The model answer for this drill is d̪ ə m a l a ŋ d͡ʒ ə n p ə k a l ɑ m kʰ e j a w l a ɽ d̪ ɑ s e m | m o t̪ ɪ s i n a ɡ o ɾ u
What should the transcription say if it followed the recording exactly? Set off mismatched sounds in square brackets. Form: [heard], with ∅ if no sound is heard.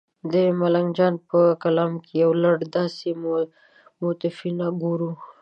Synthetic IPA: d̪ ə m a l a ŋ d͡ʒ [ɑ] n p ə k a l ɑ m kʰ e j a w l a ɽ d̪ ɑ s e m | m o t̪ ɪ [f] i n a ɡ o ɾ u